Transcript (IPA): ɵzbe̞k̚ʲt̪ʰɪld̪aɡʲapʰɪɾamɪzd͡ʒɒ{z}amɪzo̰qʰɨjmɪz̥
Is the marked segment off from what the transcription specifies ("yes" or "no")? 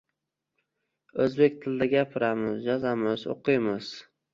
no